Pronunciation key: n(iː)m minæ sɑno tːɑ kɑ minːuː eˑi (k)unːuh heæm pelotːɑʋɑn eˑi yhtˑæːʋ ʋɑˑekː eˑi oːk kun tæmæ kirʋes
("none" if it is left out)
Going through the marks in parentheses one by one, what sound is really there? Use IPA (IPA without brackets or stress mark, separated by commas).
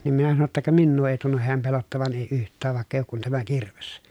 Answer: i, t